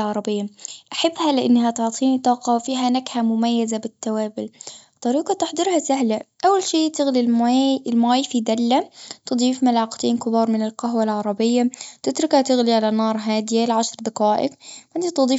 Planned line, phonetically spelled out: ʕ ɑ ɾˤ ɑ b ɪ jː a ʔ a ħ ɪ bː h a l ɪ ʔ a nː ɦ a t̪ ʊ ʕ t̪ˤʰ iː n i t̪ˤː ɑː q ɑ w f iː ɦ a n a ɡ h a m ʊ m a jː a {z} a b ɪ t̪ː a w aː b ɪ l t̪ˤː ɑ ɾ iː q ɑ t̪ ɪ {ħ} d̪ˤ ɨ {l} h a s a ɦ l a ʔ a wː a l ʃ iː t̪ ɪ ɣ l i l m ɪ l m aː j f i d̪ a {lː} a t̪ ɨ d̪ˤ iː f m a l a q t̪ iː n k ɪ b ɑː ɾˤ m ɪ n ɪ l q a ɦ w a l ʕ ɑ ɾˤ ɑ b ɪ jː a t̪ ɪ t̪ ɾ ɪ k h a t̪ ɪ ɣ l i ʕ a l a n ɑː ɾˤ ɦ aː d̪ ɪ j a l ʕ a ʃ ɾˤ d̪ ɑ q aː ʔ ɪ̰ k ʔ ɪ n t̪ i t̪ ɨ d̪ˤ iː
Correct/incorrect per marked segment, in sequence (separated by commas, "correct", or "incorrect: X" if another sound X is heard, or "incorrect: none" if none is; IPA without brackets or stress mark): correct, correct, incorrect: ɾ, correct